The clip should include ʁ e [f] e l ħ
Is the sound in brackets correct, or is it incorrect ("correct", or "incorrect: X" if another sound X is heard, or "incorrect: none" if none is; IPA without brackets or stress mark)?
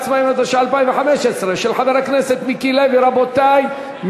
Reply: incorrect: ʃ